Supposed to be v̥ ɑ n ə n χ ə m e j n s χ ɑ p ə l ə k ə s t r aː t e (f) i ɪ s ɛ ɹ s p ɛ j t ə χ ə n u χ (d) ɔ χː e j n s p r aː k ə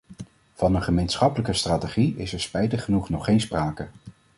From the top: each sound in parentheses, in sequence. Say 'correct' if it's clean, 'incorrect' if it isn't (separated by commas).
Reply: incorrect, incorrect